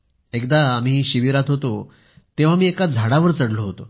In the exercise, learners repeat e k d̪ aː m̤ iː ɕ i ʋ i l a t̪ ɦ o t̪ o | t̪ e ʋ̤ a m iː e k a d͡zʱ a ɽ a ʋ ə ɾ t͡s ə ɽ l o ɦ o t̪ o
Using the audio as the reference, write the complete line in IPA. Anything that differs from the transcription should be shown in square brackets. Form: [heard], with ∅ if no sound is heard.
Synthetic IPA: e k d̪ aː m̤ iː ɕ i ʋ i [ɾ] a t̪ ɦ o t̪ o | t̪ e ʋ̤ a m iː e k a d͡zʱ a ɽ a ʋ ə ɾ t͡s ə ɽ l o ɦ o t̪ o